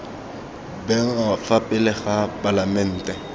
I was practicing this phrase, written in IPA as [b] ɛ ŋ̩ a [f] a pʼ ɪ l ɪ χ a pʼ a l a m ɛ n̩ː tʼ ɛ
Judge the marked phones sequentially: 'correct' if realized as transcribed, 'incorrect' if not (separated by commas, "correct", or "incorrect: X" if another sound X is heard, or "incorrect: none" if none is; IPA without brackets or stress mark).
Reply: correct, correct